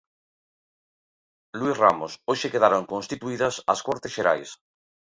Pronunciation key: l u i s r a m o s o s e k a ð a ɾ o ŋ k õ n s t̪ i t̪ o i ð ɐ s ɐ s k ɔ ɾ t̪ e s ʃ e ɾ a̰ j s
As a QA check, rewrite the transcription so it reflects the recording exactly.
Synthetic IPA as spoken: l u i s r a m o s o ʃ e k e ð a ɾ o ŋ k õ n s t̪ i t̪ u i ð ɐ s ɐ s k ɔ ɾ t̪ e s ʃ e ɾ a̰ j s